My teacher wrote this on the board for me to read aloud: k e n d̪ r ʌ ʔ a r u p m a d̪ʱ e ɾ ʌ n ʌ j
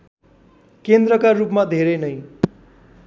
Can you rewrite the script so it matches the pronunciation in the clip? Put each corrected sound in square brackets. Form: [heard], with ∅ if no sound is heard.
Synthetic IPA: k e n d̪ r ʌ [k] a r u p m a d̪ʱ e ɾ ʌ n ʌ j